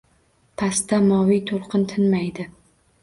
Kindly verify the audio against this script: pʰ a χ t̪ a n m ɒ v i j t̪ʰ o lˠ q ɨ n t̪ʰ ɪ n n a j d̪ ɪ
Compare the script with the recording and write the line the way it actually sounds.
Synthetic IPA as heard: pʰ a s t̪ a m ɒ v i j t̪ʰ o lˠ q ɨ n t̪ʰ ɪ n m a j d̪ ɪ